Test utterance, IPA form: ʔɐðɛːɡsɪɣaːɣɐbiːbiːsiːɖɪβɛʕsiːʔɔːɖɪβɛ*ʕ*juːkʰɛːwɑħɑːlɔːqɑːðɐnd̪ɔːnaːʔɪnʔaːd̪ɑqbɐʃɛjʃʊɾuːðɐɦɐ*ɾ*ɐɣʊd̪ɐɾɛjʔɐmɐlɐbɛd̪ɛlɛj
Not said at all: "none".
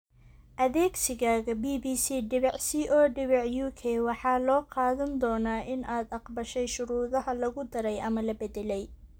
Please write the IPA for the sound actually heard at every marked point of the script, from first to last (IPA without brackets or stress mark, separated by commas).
ʕ, l